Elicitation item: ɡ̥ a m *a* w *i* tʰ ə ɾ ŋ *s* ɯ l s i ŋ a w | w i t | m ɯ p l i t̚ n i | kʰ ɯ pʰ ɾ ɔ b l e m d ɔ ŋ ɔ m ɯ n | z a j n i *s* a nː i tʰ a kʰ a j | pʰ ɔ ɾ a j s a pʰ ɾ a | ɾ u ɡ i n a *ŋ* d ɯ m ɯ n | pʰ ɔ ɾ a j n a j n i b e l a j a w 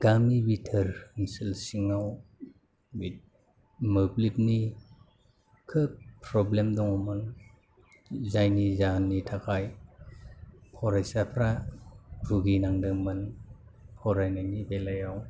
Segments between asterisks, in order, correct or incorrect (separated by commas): incorrect, correct, correct, incorrect, correct